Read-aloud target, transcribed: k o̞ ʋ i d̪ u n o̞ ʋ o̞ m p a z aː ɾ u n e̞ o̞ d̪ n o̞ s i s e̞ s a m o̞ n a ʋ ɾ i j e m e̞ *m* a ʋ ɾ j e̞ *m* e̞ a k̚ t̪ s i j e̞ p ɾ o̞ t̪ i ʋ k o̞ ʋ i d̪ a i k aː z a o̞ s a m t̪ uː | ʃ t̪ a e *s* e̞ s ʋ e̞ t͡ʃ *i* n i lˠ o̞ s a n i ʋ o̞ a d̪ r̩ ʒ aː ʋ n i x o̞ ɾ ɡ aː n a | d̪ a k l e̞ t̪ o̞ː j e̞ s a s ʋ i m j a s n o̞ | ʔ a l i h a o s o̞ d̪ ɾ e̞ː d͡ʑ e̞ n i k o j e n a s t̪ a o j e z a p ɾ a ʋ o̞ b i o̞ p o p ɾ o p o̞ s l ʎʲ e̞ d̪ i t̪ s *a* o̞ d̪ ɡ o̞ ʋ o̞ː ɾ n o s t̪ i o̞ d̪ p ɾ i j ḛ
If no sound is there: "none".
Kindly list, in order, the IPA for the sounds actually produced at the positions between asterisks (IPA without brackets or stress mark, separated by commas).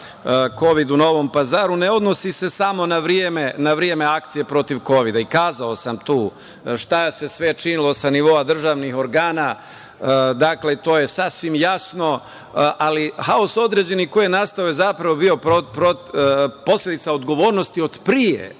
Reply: n, m, s, i, a